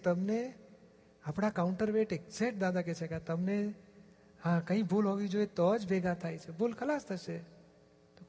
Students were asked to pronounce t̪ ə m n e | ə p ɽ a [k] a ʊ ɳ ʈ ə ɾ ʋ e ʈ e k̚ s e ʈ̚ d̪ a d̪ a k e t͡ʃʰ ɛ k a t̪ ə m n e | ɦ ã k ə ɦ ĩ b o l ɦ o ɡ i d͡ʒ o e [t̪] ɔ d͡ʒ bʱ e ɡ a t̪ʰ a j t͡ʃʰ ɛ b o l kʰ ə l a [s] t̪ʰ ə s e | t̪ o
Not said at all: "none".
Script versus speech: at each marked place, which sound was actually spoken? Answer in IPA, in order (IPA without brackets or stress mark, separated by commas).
k, t̪, s